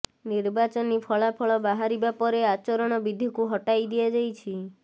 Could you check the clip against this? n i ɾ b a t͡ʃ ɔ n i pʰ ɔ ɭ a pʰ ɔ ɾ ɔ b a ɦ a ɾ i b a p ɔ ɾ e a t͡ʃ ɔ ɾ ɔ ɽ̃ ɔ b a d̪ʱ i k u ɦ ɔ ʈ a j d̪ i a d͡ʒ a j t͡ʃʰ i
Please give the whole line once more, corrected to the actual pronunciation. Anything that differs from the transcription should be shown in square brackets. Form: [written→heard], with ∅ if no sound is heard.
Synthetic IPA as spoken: n i ɾ b a t͡ʃ ɔ n i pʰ ɔ ɭ a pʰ ɔ [ɾ→ɭ] ɔ b a ɦ a ɾ i b a p ɔ ɾ e a t͡ʃ ɔ ɾ ɔ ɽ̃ ɔ b [a→i] d̪ʱ i k u ɦ ɔ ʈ a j d̪ i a d͡ʒ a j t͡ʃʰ i